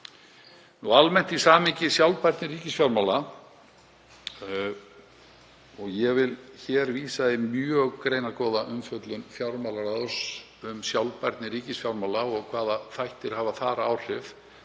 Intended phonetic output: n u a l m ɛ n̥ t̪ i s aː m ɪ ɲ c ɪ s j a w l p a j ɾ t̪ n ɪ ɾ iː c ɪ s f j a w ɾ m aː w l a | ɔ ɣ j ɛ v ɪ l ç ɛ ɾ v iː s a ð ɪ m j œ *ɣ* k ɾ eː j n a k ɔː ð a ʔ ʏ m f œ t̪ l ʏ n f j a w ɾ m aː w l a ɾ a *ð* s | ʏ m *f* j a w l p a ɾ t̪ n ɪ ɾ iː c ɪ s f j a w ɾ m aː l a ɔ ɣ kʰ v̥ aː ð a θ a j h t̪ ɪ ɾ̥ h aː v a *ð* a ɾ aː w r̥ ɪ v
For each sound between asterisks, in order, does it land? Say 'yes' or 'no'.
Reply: yes, yes, no, no

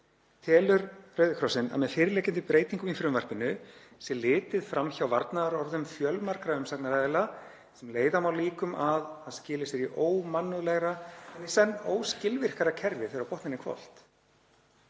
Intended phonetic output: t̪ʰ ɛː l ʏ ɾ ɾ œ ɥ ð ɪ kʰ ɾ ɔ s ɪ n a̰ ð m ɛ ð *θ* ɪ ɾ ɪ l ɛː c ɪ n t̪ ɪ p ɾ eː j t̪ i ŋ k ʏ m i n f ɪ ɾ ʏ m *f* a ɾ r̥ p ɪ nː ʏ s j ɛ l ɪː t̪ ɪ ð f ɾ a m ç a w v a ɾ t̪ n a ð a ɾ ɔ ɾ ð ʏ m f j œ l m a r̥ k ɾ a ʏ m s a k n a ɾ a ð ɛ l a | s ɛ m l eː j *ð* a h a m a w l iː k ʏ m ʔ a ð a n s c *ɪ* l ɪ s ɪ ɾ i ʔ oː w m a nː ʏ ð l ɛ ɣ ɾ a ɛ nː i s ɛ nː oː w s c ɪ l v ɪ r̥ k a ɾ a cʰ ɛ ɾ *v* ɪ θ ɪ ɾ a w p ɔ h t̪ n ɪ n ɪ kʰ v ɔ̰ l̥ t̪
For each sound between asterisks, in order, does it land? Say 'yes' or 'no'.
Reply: no, no, yes, no, yes

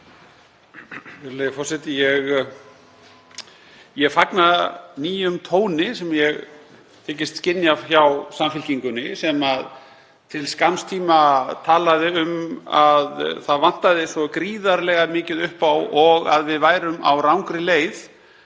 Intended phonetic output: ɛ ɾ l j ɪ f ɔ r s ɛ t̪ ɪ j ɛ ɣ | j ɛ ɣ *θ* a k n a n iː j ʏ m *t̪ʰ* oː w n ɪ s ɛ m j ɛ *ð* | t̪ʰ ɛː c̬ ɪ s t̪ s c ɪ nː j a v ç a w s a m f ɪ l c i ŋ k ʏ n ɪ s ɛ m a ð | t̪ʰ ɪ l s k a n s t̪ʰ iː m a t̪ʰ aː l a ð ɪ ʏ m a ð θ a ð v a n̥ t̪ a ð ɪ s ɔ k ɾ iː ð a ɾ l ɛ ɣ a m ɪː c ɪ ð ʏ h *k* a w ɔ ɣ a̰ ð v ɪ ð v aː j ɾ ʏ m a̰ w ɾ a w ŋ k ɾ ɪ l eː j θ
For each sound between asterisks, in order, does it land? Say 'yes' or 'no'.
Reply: no, yes, no, no

